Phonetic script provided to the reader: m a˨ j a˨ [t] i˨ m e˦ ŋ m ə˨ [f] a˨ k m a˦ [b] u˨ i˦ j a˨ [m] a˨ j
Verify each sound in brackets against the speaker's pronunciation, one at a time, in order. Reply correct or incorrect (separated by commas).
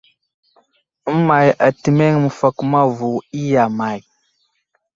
correct, correct, incorrect, correct